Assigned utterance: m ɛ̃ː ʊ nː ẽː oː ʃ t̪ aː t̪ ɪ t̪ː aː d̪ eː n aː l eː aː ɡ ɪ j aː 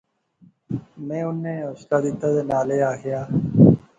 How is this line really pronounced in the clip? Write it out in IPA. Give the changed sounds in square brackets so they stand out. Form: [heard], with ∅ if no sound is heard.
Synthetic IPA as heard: m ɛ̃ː ʊ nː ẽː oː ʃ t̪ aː [d̪] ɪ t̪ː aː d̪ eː n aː l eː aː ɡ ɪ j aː